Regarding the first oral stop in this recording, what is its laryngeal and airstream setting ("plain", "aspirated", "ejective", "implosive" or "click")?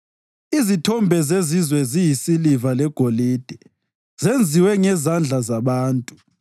aspirated